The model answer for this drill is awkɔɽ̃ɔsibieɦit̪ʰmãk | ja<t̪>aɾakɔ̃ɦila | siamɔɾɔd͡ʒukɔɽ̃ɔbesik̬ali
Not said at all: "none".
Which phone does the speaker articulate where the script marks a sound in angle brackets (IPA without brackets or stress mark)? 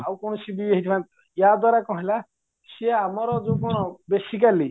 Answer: d̪